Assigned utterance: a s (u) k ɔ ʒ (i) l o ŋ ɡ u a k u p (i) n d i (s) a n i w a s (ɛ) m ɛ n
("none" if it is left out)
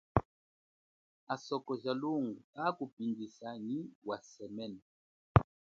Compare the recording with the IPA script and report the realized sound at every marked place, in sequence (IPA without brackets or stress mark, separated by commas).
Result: ɔ, a, i, s, ɛ